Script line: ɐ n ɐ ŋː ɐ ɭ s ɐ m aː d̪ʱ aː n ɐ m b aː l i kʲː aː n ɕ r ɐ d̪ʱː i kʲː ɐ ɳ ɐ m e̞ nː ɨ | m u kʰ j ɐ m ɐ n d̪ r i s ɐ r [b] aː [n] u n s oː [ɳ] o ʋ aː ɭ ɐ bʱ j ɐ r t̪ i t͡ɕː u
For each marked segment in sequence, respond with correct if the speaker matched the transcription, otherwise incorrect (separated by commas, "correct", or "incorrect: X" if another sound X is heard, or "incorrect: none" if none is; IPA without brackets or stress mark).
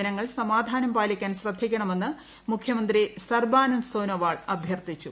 correct, correct, incorrect: n